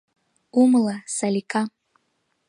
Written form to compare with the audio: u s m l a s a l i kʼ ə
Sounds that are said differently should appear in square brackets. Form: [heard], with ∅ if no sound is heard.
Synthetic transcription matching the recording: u [∅] m l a s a l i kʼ [a]